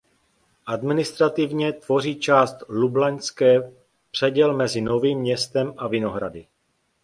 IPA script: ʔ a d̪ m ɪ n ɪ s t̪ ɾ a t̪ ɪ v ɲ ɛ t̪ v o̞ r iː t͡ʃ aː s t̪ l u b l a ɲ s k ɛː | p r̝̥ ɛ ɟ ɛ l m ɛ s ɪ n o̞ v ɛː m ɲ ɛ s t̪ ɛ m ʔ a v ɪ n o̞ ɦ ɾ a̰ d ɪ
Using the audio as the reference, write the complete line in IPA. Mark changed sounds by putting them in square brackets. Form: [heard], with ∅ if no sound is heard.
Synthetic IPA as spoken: ʔ a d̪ m ɪ n ɪ s t̪ ɾ a t̪ ɪ v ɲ ɛ t̪ v o̞ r iː t͡ʃ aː s t̪ l u b l a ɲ s k ɛː | p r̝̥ ɛ ɟ ɛ l m ɛ [z] ɪ n o̞ v [iː] m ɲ ɛ s t̪ ɛ m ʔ a v ɪ n o̞ ɦ ɾ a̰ d ɪ